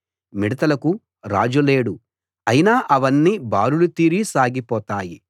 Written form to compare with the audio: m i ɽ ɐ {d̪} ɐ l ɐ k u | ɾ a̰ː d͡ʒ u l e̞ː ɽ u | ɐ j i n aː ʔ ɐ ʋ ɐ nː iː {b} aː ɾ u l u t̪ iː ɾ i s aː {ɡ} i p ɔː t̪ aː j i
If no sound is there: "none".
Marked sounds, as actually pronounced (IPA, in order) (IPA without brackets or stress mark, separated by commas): t̪, b, ɡ